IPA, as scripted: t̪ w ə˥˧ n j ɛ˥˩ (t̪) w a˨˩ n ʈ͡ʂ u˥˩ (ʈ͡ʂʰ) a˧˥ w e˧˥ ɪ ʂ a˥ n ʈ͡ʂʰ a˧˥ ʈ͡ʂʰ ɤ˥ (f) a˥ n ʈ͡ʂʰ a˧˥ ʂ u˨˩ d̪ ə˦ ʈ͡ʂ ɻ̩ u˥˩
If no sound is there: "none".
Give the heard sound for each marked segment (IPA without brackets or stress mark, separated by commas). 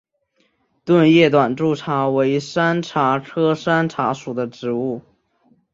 t̪, ʈ͡ʂʰ, ʂ